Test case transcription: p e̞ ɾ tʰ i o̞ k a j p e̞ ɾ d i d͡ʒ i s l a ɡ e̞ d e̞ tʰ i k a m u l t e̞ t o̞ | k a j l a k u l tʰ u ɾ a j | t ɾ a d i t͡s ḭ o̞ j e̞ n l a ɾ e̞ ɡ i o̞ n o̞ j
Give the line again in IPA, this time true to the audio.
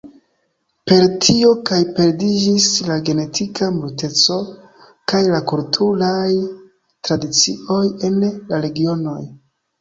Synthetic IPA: p e̞ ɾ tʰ i o̞ k a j p e̞ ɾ d i d͡ʒ i s l a ɡ e̞ n e̞ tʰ i k a m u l t e̞ t͡s o̞ | k a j l a k u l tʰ u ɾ a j | t ɾ a d i t͡s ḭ o̞ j e̞ n l a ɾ e̞ ɡ i o̞ n o̞ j